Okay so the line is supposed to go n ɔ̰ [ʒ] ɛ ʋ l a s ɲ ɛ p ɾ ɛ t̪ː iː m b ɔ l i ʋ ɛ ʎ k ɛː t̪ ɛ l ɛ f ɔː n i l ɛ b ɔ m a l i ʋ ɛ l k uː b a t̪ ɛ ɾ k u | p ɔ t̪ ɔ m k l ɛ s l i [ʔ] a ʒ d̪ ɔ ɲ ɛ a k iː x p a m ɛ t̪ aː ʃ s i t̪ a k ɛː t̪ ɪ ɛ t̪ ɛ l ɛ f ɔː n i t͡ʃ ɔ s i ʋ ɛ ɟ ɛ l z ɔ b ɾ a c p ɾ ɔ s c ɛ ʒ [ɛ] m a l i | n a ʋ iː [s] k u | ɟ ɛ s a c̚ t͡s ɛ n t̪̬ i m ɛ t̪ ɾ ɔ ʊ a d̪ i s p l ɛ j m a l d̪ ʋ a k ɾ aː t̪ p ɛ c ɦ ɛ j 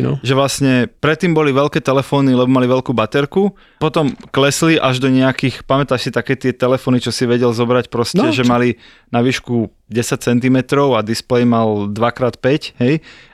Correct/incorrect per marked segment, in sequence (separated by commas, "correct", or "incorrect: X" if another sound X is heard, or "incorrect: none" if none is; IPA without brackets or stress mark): correct, correct, correct, incorrect: ʃ